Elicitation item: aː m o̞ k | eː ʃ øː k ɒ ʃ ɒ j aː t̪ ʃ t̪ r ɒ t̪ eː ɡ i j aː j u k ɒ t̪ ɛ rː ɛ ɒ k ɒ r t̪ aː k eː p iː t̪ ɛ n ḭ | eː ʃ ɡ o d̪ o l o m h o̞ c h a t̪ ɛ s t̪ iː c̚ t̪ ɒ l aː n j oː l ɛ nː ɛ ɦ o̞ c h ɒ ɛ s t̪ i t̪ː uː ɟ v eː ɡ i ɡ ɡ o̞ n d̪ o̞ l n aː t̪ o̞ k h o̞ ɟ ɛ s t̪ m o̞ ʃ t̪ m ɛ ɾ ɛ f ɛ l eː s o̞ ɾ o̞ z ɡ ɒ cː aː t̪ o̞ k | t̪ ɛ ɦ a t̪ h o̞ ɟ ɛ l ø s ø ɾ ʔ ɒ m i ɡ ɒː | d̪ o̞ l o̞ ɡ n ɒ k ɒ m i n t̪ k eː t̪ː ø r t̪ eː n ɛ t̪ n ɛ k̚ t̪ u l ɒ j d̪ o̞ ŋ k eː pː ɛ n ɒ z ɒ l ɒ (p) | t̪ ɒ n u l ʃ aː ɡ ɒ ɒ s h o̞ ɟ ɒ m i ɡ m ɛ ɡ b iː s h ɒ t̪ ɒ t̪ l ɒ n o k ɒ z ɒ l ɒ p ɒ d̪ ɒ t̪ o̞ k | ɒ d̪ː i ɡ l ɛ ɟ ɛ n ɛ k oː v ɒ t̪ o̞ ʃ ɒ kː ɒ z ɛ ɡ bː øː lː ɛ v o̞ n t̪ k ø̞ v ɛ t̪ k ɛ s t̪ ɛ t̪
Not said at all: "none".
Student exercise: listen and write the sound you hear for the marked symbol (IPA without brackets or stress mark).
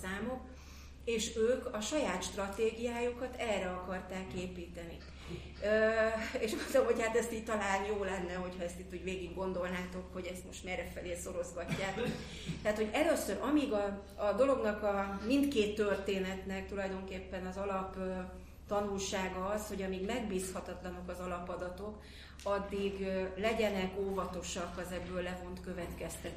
p